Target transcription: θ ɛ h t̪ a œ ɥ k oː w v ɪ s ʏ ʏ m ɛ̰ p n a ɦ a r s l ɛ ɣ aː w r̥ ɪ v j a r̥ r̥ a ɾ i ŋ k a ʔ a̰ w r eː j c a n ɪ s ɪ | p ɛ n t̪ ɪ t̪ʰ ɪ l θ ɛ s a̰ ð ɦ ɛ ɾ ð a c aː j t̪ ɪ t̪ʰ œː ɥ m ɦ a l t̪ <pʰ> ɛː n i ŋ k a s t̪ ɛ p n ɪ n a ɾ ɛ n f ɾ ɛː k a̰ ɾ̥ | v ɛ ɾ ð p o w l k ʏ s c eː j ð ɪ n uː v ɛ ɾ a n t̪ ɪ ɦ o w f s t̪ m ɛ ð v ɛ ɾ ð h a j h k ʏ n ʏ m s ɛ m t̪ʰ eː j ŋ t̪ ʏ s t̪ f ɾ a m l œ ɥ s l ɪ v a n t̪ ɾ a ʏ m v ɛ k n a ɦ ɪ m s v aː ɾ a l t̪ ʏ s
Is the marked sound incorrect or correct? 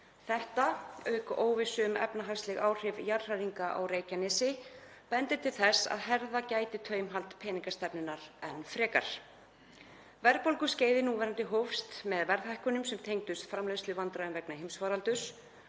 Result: correct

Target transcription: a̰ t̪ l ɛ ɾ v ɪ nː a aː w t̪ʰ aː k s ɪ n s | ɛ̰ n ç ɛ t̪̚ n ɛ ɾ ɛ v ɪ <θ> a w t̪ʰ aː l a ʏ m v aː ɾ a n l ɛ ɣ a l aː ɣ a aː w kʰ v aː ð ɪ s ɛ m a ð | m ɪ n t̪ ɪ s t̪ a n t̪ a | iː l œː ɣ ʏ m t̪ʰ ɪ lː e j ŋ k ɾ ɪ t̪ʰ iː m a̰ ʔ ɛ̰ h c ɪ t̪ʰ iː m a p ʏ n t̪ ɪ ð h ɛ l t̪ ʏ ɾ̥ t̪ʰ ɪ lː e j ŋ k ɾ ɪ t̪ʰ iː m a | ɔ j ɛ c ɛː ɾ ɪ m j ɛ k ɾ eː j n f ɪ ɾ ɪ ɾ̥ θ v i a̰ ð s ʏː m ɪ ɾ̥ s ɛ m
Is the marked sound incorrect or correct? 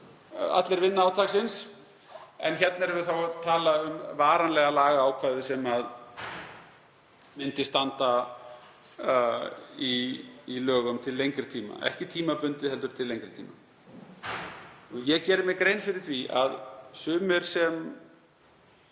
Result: correct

